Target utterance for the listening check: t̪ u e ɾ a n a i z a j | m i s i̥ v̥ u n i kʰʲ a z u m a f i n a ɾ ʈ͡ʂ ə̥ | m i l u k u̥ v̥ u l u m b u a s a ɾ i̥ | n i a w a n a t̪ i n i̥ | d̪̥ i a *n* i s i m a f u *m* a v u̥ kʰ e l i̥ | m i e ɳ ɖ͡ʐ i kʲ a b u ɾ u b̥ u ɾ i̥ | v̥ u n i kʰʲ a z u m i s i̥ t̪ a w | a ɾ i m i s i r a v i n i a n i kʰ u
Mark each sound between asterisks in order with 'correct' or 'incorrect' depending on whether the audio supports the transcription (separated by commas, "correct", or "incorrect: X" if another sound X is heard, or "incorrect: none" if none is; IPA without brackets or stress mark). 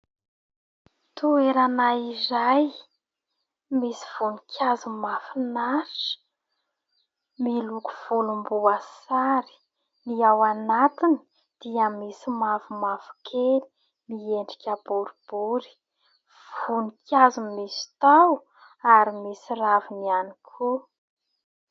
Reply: incorrect: m, correct